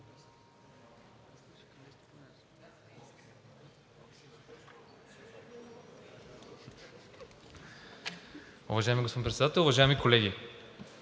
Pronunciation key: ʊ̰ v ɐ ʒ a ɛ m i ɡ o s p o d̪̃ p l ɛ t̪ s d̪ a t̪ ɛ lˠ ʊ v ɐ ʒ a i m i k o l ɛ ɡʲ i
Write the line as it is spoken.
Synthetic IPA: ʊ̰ v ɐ ʒ a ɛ m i ɡ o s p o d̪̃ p ɾ ɛ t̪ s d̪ a t̪ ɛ lˠ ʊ v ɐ ʒ a ɛ m i k o l ɛ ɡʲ i